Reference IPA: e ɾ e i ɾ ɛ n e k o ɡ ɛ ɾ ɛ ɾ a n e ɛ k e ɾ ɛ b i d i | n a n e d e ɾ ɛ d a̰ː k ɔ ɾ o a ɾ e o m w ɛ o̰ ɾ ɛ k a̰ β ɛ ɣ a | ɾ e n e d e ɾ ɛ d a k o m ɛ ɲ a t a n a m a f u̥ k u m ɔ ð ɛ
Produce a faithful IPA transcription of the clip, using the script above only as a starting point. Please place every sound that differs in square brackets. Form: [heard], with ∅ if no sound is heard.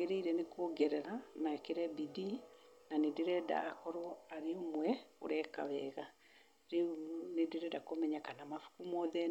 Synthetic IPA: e ɾ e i ɾ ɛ n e k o ɡ ɛ ɾ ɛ ɾ a n [a] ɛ k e ɾ ɛ b i d i | n a n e d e ɾ ɛ d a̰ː k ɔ ɾ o a ɾ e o m w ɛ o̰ ɾ ɛ k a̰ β ɛ ɣ a | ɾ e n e d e ɾ ɛ d a k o m ɛ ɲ a [k] a n a m a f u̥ k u m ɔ ð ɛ